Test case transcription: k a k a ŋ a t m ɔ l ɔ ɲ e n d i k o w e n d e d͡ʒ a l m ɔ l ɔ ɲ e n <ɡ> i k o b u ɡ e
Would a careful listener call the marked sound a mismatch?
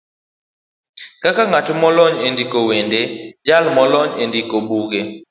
yes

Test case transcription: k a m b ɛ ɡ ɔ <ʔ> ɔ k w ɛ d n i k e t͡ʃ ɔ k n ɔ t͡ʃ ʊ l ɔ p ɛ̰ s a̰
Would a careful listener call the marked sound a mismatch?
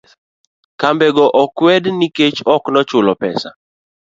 no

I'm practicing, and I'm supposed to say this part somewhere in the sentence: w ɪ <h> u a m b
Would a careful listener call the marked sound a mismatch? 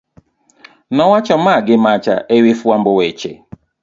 yes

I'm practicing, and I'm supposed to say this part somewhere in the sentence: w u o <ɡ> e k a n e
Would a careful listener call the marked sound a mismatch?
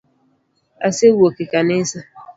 yes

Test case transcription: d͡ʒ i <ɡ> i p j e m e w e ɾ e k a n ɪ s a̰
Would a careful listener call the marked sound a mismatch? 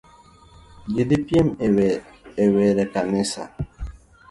yes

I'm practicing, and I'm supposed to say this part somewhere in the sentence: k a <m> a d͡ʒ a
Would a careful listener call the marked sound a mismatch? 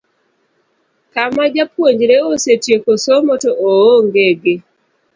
no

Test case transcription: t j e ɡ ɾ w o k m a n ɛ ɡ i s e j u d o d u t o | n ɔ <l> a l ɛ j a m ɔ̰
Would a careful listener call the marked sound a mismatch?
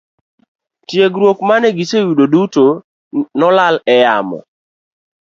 no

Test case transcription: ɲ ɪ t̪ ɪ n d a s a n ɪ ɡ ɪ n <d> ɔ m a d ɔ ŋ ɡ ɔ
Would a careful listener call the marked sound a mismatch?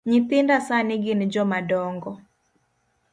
yes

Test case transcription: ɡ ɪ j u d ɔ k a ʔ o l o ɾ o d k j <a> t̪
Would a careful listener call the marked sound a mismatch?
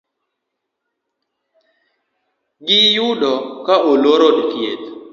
yes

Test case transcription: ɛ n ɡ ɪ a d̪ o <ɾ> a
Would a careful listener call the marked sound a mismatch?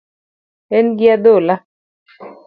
yes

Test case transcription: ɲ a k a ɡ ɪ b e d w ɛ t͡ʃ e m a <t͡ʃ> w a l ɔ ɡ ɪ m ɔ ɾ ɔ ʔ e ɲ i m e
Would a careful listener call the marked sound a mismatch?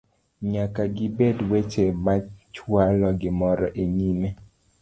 no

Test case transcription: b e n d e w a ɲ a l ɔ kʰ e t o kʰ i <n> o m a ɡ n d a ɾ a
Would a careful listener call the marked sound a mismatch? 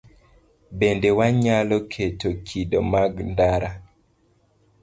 yes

